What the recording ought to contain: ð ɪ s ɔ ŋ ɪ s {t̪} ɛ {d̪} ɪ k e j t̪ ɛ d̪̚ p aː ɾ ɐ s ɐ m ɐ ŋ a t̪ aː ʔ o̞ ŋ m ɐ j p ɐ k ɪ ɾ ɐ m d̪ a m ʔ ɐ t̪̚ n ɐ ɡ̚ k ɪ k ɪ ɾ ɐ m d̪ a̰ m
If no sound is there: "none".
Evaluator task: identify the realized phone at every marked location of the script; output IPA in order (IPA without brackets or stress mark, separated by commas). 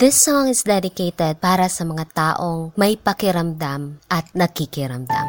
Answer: d̪, d̪